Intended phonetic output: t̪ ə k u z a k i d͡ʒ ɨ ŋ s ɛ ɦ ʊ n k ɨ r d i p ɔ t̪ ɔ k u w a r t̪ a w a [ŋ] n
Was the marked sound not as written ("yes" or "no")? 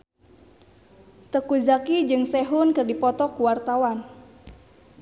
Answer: yes